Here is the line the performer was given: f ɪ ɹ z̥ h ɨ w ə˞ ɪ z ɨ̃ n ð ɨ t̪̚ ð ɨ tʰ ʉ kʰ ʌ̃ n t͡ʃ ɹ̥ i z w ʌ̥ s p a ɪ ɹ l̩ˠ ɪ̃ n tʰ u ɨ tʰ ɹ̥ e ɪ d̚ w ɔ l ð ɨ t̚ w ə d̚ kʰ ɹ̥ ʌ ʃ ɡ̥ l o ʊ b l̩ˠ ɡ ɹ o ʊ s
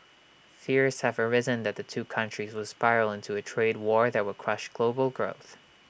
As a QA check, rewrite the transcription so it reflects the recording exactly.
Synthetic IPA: f ɪ ɹ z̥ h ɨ v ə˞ ɪ z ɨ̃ n ð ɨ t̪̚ ð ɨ tʰ ʉ kʰ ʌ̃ n t͡ʃ ɹ̥ i z w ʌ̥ s p a ɪ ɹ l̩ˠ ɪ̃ n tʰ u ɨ tʰ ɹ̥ e ɪ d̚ w ɔ ɹ ð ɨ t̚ w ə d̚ kʰ ɹ̥ ʌ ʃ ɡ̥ l o ʊ b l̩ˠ ɡ ɹ o ʊ θ